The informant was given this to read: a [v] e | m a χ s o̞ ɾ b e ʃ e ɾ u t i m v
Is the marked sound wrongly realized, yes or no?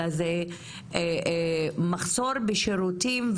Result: yes